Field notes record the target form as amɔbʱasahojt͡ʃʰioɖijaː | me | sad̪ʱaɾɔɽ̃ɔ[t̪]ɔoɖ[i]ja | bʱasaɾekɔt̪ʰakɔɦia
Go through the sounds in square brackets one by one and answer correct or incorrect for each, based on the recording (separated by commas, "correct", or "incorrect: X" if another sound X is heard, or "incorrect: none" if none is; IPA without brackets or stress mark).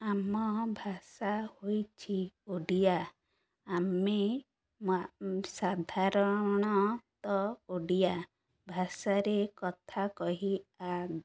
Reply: correct, correct